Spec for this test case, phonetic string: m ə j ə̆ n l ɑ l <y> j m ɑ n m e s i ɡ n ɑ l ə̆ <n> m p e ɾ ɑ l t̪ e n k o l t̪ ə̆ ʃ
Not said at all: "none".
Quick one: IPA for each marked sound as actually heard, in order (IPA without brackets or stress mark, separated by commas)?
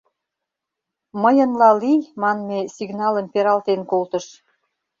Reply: i, none